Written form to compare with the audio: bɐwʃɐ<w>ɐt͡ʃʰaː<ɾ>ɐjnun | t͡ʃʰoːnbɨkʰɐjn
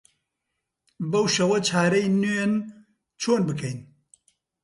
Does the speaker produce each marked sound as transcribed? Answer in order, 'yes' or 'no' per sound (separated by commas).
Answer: yes, yes